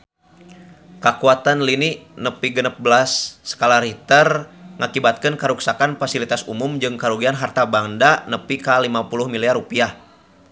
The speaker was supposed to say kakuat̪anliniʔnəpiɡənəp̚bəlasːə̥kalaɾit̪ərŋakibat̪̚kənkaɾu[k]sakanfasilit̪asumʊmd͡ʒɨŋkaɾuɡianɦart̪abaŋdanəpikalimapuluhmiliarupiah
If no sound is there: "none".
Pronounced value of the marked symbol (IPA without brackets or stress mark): k